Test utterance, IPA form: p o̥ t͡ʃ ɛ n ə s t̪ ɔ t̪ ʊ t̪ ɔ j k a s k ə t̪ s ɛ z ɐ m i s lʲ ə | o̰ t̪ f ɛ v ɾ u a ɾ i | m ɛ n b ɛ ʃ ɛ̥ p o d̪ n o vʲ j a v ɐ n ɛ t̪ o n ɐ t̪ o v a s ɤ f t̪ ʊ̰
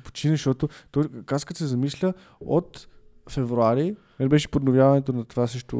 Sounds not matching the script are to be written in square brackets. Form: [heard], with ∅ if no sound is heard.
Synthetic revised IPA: p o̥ t͡ʃ [i] n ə [ʃ] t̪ ɔ t̪ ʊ t̪ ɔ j k a s k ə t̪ s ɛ z ɐ m i s lʲ ə | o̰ t̪ f ɛ v ɾ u a ɾ i | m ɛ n b ɛ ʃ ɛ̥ p o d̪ n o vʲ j a v ɐ n ɛ t̪ o n ɐ t̪ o v a s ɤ [ʃ] t̪ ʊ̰